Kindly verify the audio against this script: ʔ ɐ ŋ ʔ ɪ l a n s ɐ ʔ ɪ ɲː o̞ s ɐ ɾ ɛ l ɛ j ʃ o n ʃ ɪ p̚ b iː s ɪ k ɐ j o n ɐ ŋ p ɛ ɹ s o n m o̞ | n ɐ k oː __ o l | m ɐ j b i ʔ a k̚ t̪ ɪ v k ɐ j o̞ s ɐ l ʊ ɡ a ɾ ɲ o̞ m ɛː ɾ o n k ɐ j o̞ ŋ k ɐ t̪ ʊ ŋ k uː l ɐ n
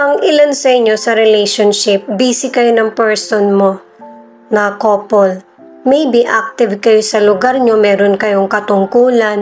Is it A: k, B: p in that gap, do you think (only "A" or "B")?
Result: B